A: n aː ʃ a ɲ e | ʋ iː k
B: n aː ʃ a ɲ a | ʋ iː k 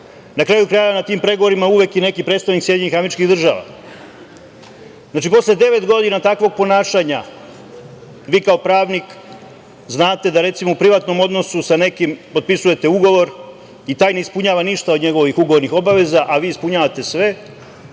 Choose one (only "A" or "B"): B